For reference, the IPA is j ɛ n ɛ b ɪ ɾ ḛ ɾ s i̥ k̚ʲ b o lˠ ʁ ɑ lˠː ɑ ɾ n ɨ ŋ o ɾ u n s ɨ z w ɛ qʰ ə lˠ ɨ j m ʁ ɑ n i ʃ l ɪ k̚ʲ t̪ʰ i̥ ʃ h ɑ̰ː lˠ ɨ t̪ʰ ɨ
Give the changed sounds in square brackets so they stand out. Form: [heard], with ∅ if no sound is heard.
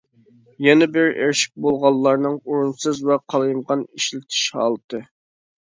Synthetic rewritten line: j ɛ n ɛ b ɪ ɾ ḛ ɾ [ʃ] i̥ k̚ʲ b o lˠ ʁ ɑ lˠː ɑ ɾ n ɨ ŋ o ɾ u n s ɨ z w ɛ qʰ [ɑ] lˠ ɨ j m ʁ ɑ n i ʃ l ɪ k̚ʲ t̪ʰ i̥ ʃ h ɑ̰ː lˠ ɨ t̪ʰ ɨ